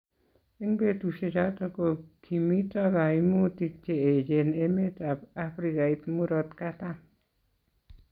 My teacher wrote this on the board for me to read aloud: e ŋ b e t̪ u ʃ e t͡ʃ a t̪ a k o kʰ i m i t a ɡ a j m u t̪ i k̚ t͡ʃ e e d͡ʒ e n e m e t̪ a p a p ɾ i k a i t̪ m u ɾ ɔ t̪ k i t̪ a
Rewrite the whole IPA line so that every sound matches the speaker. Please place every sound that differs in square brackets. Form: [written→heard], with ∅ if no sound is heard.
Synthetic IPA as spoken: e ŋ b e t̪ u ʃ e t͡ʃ a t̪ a k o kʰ i m i t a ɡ a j m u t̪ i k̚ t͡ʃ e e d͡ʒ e n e m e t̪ a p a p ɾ i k a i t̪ m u ɾ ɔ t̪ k [i→a] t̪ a